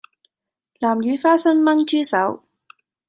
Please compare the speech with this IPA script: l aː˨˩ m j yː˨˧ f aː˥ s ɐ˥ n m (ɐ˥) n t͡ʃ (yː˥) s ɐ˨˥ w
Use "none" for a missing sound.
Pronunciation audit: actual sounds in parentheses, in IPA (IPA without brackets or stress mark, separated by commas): ɐ˥, yː˥